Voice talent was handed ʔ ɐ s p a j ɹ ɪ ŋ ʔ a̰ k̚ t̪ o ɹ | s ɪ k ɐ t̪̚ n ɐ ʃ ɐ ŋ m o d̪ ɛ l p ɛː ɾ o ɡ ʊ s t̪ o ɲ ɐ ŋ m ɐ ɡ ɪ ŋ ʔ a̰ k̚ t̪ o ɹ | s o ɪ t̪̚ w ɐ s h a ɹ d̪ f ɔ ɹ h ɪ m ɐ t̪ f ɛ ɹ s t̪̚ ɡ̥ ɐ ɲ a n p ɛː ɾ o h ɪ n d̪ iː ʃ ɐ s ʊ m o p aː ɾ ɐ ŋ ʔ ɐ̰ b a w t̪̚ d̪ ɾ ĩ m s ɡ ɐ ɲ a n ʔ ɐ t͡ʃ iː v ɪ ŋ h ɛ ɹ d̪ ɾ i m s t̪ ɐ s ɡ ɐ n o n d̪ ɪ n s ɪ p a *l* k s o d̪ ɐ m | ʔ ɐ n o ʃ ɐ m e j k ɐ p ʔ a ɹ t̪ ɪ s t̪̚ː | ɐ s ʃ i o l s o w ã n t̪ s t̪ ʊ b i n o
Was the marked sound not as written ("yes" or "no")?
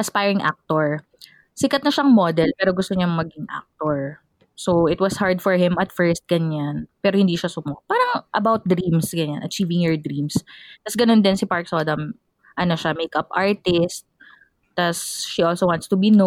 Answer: yes